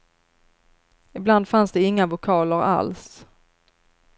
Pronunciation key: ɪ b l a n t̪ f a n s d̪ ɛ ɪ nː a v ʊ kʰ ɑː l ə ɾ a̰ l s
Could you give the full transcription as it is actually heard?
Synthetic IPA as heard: ɪ b l a n d̪ f a n s d̪ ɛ ɪ ŋː a v ʊ kʰ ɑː l ə ɾ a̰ l s